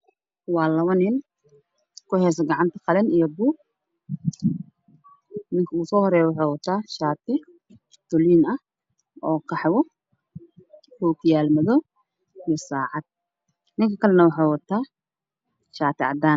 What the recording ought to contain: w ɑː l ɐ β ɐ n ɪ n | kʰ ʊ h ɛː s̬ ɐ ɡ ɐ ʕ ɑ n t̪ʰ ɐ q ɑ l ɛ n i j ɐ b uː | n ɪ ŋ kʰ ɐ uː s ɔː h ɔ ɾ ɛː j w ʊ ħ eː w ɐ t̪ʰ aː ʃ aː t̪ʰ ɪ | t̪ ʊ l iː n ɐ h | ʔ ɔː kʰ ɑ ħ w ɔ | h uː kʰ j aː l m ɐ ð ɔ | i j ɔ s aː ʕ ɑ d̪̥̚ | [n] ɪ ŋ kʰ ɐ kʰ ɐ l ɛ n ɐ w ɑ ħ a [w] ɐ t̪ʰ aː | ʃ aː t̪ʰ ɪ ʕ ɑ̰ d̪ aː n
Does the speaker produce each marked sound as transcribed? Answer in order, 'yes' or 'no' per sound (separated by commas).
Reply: yes, yes